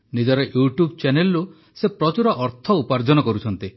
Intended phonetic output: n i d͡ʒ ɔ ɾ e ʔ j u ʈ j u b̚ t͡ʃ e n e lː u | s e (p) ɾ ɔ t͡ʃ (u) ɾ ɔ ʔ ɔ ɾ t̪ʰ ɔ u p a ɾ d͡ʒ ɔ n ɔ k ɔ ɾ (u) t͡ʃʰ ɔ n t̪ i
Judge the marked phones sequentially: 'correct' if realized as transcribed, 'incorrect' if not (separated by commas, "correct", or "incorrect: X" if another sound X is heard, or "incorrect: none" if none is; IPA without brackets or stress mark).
correct, correct, correct